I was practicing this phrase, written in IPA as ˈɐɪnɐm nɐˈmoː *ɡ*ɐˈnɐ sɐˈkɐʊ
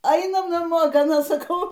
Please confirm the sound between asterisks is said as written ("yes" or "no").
yes